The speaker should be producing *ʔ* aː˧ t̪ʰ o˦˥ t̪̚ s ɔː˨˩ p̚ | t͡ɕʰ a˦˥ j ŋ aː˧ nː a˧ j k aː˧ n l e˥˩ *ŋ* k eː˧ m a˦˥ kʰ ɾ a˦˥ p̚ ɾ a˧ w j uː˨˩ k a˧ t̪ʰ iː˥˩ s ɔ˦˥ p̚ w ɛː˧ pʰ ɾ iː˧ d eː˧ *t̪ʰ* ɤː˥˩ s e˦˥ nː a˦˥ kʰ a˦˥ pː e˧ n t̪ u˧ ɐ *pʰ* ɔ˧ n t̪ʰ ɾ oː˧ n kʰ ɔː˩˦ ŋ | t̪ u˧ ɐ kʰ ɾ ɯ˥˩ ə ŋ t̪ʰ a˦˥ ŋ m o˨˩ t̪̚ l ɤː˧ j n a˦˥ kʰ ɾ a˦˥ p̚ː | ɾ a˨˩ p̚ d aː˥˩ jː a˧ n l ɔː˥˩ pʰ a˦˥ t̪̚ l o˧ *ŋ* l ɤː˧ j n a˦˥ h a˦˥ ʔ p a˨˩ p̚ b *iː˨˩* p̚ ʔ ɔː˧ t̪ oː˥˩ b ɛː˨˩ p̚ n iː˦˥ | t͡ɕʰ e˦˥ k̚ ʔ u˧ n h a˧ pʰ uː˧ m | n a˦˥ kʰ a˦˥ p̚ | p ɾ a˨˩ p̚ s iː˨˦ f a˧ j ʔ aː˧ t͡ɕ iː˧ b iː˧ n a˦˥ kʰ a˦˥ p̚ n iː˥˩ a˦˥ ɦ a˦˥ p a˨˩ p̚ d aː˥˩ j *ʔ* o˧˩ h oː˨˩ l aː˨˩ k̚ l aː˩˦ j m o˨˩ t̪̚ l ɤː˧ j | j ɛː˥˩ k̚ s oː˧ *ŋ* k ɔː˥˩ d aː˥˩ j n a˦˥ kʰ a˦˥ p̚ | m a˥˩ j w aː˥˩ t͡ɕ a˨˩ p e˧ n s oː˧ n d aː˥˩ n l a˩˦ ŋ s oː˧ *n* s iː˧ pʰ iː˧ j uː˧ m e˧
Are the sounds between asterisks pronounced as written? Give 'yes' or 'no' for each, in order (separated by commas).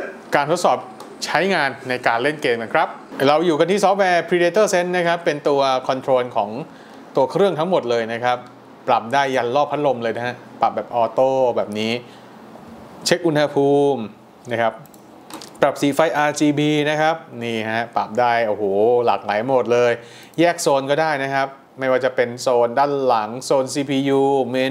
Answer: no, no, no, no, no, no, yes, no, yes